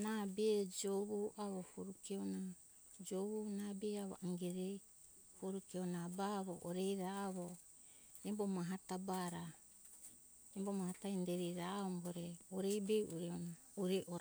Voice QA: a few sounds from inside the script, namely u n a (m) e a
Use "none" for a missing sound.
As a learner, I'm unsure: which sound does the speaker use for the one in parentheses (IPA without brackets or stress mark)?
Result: b